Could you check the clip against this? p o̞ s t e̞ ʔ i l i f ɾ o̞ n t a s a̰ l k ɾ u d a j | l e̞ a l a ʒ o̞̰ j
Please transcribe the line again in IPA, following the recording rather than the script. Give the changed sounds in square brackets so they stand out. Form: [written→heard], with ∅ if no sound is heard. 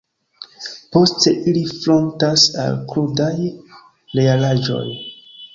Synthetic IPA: p o̞ s t e̞ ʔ i l i f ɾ o̞ n t a s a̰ l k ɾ u d a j | l e̞ a l a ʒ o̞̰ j